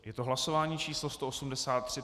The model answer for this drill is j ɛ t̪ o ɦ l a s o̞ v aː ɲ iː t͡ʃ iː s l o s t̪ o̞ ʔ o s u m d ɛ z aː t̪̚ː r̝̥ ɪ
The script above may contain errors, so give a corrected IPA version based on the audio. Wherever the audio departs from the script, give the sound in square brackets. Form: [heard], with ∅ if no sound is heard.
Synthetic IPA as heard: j ɛ t̪ o ɦ l a s o̞ v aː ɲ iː t͡ʃ iː s l o s t̪ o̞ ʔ o s u m d ɛ [s] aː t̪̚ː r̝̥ ɪ